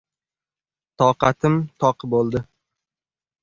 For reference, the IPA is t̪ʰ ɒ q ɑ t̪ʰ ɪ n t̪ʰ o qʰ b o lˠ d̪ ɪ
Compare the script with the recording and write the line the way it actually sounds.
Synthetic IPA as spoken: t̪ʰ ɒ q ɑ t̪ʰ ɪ m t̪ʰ ɒ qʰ b o lˠ d̪ ɪ